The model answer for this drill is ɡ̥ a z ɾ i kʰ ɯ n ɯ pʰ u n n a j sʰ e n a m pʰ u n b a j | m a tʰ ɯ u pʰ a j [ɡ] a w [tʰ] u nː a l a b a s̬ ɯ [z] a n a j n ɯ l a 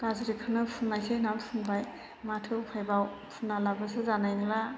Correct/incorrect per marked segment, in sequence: incorrect: b, incorrect: pʰ, correct

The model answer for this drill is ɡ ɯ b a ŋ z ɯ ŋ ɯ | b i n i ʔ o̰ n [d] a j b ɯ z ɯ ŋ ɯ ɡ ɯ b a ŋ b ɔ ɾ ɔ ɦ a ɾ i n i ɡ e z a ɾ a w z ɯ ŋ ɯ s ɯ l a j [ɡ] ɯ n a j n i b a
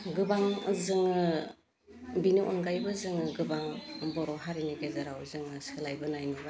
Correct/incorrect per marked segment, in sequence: incorrect: ɡ, incorrect: b

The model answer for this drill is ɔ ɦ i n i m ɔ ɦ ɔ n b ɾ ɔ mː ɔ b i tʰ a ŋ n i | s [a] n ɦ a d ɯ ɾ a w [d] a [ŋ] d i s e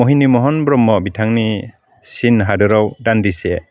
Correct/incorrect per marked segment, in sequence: incorrect: i, correct, incorrect: n

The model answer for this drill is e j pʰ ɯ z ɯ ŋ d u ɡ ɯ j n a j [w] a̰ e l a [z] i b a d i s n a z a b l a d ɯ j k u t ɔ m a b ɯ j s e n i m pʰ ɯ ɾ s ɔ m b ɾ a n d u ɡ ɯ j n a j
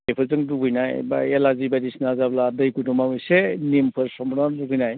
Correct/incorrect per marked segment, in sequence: incorrect: b, correct

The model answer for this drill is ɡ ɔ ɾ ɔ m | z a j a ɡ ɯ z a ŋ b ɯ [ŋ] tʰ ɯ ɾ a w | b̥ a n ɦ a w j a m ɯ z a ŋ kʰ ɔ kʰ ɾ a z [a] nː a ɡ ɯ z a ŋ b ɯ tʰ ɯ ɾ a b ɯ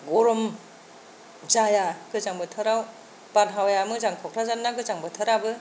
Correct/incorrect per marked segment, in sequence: incorrect: none, correct

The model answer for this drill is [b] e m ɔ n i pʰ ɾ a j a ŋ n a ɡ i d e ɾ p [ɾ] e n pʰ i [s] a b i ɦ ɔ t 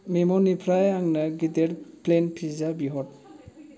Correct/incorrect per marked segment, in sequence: incorrect: m, incorrect: l, incorrect: z

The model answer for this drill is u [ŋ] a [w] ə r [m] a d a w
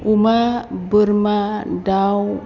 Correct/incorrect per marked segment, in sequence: incorrect: m, incorrect: b, correct

